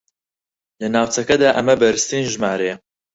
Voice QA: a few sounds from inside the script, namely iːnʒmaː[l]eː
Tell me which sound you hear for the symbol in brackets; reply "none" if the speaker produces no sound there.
ɾ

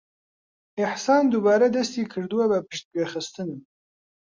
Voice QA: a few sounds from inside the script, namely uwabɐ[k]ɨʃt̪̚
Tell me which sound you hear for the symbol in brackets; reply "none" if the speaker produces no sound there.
p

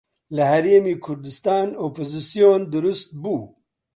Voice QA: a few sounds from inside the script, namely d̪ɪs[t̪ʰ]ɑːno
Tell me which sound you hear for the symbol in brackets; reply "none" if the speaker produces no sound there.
t̪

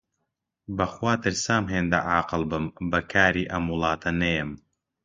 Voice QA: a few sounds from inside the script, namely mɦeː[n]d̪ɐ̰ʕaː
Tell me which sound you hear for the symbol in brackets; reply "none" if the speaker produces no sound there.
n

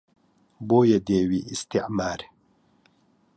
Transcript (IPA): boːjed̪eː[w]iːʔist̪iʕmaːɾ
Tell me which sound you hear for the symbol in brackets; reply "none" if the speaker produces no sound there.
w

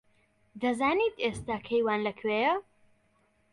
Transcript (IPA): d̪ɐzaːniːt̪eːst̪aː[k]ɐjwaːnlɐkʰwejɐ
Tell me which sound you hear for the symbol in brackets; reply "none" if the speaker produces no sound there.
kʰ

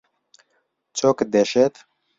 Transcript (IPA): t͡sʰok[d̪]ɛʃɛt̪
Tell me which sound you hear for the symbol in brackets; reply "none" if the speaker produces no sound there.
d̪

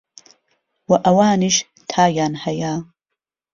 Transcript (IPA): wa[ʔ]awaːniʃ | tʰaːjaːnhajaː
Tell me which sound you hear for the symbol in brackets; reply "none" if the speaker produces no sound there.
ʔ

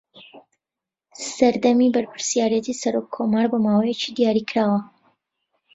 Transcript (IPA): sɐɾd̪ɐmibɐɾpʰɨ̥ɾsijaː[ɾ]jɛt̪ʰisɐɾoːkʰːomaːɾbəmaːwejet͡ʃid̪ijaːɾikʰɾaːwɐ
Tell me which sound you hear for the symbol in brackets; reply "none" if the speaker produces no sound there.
ɾ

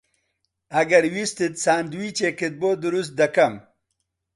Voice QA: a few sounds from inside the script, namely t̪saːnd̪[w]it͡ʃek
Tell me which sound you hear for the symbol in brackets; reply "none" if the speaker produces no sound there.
w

